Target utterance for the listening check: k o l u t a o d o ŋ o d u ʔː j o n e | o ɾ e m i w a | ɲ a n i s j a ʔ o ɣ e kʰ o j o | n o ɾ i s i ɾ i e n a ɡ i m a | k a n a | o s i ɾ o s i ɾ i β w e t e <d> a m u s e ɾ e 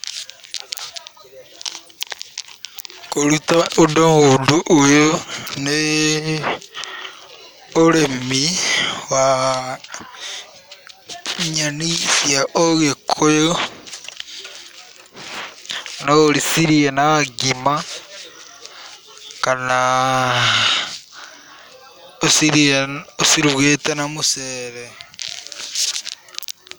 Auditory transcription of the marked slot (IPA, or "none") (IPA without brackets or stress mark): n